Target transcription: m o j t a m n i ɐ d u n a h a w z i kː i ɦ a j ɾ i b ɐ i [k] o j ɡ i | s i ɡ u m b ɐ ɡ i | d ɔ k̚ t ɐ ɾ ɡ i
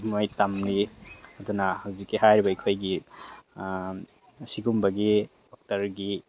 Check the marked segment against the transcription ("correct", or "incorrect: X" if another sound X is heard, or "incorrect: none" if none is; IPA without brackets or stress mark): incorrect: kʰ